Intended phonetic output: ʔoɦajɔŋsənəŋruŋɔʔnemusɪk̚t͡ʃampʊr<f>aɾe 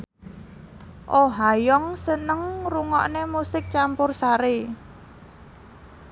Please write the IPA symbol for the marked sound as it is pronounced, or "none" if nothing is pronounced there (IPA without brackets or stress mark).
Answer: s